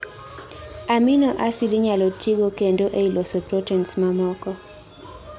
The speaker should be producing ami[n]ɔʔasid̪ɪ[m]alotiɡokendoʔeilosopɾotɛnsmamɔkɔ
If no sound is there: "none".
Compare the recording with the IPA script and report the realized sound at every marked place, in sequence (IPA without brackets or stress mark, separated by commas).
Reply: n, ɲ